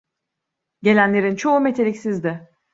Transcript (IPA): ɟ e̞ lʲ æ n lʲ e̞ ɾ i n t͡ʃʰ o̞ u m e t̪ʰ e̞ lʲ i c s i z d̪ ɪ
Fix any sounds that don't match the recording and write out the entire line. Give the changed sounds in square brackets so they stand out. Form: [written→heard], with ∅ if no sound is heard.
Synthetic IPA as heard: ɟ e̞ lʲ æ n lʲ e̞ ɾ i n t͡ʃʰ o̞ u m e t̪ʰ e̞ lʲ i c s i z d̪ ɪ

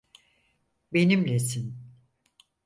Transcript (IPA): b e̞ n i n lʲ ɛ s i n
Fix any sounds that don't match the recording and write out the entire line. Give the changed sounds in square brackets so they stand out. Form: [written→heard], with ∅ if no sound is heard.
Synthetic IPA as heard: b e̞ n i [n→m] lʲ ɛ s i n

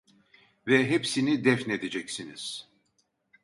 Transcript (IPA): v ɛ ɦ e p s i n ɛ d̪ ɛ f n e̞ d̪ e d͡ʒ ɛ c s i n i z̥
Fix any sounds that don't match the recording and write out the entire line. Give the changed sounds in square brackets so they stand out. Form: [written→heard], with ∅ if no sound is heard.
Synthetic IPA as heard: v ɛ ɦ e p s i n [ɛ→i] d̪ ɛ f n e̞ d̪ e d͡ʒ ɛ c s i n i z̥

